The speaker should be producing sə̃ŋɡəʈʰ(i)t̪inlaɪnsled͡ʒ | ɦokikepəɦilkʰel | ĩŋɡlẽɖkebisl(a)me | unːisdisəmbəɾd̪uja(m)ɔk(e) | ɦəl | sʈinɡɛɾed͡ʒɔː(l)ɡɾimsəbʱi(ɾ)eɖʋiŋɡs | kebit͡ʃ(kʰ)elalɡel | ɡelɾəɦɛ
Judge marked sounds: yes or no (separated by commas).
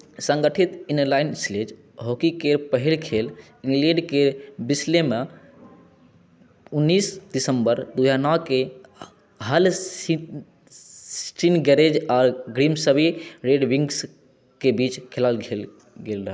yes, no, no, yes, no, yes, yes